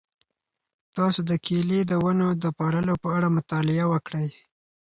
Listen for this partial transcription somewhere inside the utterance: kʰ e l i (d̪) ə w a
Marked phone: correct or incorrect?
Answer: correct